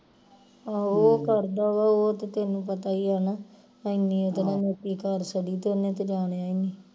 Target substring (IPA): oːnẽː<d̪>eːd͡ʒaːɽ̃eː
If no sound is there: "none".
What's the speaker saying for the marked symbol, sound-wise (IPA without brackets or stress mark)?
t̪